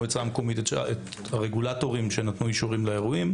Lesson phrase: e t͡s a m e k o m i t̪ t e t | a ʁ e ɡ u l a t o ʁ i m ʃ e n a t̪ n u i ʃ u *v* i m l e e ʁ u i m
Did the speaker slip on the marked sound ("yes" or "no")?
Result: yes